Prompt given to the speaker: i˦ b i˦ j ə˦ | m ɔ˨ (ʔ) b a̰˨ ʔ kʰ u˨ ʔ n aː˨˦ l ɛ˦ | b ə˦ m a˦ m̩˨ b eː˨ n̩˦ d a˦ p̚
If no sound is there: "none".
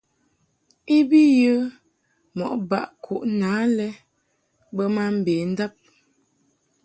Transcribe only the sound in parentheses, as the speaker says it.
ʔ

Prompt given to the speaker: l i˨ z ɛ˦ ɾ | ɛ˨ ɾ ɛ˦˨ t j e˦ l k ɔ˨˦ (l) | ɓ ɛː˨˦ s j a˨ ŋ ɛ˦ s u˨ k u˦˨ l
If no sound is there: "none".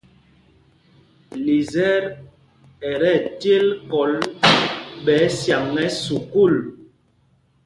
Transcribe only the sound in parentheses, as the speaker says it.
l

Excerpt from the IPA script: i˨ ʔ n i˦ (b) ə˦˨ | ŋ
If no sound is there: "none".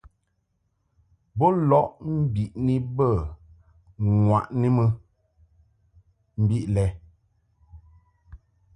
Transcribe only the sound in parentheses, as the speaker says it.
b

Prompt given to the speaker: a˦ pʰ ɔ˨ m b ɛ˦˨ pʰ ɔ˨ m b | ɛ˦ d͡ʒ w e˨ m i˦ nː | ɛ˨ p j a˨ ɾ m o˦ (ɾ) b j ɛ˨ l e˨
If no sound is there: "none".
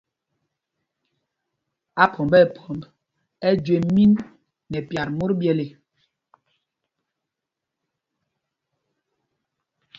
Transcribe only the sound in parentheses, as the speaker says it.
ɾ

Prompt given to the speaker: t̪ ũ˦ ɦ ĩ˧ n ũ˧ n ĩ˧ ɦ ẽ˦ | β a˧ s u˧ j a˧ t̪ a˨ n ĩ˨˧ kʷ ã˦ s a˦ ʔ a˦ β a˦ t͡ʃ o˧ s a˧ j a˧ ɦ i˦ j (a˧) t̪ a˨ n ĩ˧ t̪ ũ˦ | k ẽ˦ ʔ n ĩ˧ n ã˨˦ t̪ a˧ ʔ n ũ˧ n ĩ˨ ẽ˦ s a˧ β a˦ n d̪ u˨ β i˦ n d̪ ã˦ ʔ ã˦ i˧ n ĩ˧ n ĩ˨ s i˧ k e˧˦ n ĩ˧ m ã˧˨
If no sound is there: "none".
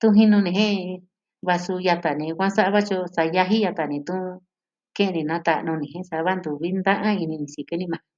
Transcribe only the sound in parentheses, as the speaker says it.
a˧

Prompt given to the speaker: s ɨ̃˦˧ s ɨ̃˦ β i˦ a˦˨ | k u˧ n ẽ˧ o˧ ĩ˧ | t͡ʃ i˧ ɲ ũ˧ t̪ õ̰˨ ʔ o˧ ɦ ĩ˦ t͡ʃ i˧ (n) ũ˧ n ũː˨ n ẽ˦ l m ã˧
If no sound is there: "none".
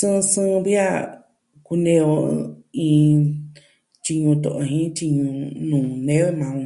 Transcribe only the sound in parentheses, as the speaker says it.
ɲ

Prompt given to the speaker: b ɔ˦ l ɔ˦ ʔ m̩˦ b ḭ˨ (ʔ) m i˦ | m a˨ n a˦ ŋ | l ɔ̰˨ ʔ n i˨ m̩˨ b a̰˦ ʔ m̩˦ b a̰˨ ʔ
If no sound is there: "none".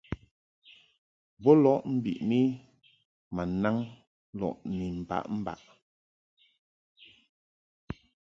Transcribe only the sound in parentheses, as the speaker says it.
ʔ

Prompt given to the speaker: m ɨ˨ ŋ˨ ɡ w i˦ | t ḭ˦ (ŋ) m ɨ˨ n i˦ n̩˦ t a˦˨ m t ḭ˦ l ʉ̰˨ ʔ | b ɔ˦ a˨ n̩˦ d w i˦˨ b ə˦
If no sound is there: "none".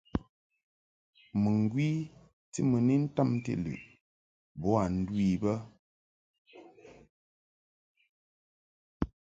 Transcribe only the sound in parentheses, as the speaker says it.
none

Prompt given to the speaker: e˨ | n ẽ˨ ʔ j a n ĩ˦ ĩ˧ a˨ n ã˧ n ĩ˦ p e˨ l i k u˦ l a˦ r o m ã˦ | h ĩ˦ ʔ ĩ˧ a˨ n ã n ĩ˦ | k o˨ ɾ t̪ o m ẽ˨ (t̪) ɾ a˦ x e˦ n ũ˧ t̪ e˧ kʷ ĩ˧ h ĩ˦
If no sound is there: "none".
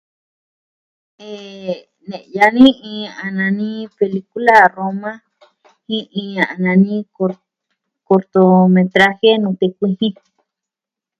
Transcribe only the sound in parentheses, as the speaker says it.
t̪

